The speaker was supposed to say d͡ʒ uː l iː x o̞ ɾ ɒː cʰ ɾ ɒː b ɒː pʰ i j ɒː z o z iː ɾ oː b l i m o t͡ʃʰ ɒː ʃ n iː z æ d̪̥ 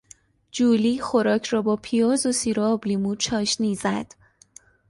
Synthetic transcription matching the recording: d͡ʒ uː l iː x o̞ ɾ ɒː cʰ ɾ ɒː b ɒː pʰ i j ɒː z o s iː ɾ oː b l i m u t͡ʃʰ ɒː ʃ n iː z æ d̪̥

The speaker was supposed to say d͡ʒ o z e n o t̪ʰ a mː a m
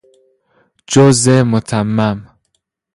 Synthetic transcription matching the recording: d͡ʒ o z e m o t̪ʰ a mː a m

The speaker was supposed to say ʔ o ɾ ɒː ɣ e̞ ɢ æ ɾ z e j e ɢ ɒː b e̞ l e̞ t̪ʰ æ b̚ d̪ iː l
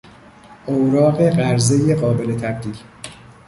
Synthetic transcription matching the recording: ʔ o ɾ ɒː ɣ e̞ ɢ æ ɾ z e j e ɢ ɒː b e̞ l e̞ t̪ʰ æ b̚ d̪ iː l

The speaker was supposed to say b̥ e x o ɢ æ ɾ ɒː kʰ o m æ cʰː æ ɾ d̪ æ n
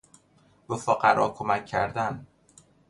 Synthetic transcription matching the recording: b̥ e f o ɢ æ ɾ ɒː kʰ o m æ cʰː æ ɾ d̪ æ n

